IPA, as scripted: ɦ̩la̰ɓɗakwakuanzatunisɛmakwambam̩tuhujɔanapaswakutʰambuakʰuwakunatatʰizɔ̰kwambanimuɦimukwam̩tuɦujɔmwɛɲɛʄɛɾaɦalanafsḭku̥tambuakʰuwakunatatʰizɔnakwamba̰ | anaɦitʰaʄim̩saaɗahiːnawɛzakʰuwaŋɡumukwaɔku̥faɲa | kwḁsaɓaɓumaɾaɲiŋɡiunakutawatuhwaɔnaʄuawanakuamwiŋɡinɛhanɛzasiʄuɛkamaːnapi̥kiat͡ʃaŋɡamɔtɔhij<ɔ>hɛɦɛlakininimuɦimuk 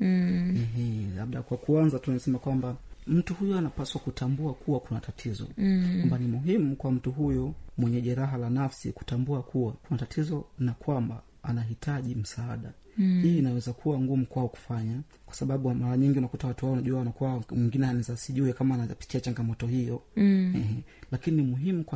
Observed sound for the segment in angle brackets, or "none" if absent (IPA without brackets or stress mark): ɔ